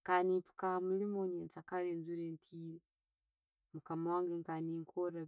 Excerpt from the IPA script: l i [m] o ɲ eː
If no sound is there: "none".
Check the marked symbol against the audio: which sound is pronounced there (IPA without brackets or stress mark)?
m